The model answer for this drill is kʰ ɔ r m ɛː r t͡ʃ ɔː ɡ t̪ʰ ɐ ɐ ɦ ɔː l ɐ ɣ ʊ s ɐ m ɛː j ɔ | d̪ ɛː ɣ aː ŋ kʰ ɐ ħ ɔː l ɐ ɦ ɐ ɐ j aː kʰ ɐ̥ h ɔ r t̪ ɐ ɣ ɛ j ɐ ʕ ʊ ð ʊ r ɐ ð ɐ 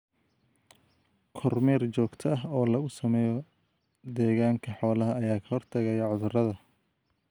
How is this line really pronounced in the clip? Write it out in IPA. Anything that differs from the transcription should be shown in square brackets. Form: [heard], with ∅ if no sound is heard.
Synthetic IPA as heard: kʰ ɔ r m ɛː r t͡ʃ ɔː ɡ t̪ʰ ɐ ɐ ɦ ɔː l ɐ ɣ ʊ s ɐ m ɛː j ɔ | d̪ ɛː ɣ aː ŋ kʰ ɐ ħ ɔː l ɐ ɦ ɐ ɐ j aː kʰ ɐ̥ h ɔ r [t̪ʰ] ɐ ɣ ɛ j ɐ ʕ ʊ ð ʊ r ɐ ð ɐ